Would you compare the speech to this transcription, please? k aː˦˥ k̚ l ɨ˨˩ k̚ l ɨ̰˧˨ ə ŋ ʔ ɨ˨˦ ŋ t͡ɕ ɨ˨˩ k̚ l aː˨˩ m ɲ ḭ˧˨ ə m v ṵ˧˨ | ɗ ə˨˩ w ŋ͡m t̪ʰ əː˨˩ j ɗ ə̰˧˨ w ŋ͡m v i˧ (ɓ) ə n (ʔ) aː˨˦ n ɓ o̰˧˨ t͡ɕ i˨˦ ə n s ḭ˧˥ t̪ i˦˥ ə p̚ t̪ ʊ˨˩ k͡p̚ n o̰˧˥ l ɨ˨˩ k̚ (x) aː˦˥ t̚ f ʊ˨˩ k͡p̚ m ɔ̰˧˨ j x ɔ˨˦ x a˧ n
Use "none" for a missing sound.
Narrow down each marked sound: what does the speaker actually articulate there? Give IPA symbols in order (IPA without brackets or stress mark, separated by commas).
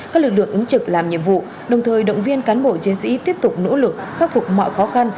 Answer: none, k, x